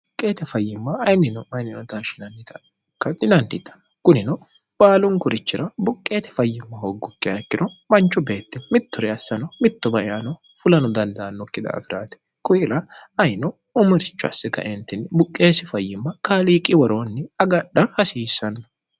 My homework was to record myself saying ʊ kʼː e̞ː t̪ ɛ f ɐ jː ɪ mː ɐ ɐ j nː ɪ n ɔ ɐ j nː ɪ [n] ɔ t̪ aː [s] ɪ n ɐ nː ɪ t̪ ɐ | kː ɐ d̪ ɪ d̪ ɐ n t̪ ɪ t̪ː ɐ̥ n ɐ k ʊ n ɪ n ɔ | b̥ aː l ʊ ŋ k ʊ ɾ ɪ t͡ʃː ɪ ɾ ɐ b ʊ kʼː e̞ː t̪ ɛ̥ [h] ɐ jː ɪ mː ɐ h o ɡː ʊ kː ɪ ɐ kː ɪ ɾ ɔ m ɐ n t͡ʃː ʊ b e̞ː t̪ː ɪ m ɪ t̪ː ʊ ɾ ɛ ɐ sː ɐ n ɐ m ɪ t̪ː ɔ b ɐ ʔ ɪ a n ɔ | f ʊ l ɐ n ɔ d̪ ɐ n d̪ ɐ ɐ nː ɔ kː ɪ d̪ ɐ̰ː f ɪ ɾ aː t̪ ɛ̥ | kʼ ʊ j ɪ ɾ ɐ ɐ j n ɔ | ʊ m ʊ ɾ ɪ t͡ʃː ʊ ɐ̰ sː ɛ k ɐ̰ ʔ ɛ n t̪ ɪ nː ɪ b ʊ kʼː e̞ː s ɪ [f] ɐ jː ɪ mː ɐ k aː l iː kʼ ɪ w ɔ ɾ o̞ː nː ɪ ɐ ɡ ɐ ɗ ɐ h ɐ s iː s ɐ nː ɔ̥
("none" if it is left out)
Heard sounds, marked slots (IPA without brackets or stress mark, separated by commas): n, ʃ, f, f